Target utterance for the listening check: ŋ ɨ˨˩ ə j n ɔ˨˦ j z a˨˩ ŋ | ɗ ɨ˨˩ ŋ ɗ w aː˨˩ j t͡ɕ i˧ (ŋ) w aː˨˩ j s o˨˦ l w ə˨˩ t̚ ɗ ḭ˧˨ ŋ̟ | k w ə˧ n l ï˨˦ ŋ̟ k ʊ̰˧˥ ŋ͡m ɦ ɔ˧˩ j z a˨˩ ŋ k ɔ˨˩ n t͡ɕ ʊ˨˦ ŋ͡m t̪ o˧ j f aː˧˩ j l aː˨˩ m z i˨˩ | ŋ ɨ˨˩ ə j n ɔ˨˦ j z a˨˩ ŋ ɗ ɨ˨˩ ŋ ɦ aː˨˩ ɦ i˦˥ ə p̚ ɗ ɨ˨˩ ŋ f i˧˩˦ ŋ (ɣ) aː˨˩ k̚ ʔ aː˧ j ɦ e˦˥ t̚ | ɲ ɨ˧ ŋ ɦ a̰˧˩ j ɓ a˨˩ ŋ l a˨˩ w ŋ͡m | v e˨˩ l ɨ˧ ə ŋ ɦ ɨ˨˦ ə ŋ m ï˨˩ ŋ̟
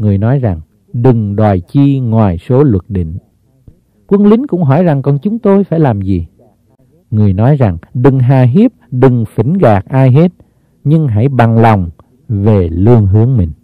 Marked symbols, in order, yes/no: yes, yes

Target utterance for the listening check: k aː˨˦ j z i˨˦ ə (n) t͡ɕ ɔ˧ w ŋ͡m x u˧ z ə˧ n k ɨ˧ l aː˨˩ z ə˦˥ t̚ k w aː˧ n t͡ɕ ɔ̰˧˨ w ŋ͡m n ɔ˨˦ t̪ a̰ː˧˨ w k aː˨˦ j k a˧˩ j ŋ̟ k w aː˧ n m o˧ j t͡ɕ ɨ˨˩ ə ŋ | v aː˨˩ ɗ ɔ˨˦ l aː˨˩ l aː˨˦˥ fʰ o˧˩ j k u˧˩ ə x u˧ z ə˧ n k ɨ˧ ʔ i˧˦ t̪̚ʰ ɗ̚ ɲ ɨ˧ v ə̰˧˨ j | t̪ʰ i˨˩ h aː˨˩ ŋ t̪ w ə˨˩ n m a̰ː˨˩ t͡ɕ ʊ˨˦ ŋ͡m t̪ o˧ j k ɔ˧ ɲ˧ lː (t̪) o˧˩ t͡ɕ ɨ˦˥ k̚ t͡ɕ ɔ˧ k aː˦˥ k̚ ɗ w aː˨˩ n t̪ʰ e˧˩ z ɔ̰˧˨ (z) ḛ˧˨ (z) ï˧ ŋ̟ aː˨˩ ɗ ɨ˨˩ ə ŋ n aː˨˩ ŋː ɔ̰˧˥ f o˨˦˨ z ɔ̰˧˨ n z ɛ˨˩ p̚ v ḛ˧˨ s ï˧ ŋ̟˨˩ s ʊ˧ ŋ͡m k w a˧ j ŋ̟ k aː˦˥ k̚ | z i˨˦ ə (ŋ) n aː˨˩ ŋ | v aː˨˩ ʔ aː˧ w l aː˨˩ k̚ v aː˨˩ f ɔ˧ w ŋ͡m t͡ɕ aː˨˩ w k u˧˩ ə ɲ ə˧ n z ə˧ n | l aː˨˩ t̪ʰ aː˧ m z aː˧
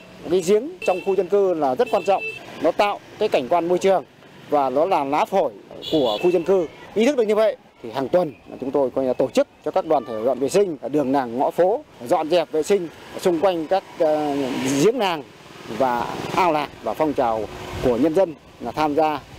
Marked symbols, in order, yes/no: no, yes, no, no, yes

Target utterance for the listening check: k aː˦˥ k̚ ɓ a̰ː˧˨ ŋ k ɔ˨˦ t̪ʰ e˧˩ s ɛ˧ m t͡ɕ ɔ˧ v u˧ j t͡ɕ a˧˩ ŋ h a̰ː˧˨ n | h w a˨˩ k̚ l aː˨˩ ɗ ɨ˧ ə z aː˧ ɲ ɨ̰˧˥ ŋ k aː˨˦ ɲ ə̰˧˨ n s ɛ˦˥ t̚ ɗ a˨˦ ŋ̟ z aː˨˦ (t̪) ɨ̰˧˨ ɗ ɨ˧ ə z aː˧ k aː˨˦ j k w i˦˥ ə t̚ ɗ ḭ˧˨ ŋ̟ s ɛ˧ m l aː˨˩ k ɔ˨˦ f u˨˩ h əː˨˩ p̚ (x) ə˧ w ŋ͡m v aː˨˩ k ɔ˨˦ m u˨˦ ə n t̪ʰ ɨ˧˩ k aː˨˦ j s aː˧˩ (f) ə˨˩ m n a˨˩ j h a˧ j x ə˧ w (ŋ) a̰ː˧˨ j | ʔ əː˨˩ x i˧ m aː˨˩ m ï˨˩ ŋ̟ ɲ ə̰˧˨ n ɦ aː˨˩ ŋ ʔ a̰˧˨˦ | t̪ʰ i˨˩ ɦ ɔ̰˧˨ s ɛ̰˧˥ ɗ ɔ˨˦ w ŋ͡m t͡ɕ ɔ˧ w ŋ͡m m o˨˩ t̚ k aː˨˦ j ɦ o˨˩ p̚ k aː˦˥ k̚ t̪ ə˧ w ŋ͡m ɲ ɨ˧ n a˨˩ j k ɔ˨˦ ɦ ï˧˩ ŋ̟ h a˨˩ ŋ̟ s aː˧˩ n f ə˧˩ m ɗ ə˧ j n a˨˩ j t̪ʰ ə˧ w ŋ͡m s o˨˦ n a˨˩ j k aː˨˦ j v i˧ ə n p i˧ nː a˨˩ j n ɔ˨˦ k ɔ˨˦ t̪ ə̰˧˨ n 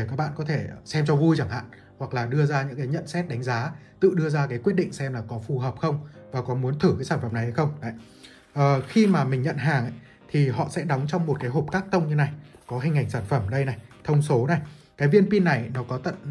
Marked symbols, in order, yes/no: yes, yes, yes, no

